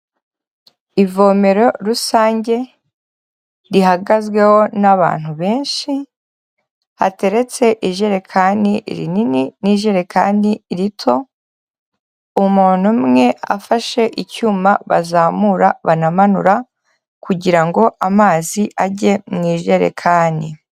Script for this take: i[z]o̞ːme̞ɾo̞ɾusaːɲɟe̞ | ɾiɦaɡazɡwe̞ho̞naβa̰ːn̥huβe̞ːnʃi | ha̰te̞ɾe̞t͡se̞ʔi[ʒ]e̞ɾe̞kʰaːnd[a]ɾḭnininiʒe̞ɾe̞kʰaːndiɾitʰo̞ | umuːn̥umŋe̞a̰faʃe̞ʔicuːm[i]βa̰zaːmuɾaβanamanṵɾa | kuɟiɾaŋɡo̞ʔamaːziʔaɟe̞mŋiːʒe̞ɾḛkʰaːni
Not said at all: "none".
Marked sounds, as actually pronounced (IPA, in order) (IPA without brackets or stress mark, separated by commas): v, ʒ, i, a